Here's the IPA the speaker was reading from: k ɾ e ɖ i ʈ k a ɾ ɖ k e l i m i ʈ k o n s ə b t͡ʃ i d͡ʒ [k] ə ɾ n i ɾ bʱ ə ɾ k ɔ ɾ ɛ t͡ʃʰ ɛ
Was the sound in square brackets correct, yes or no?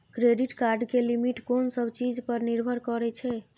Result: no